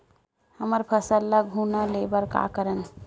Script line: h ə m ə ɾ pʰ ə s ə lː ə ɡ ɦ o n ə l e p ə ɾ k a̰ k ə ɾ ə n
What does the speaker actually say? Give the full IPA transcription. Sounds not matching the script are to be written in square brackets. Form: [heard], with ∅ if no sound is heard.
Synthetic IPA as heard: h ə m ə ɾ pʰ ə s ə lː ə ɡ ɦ [u] n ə l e [b] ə ɾ k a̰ k ə ɾ ə n